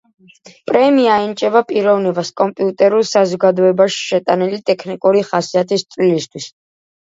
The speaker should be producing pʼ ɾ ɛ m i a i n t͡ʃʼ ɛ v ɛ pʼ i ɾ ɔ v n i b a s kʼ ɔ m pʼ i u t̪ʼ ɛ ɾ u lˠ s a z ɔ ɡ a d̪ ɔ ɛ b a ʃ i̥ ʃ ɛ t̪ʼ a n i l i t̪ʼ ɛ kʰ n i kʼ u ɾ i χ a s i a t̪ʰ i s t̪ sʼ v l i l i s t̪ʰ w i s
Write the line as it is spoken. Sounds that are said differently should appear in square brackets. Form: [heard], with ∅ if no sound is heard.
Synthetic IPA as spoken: pʼ ɾ ɛ m i a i n t͡ʃʼ ɛ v [a] pʼ i ɾ ɔ v n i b a s kʼ ɔ m pʼ i u t̪ʼ ɛ ɾ u lˠ s a z ɔ ɡ a d̪ ɔ ɛ b a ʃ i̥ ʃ ɛ t̪ʼ a n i l i t̪ʼ ɛ kʰ n i kʼ u ɾ i χ a s i a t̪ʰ i s t̪ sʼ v l i l i s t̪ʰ w i s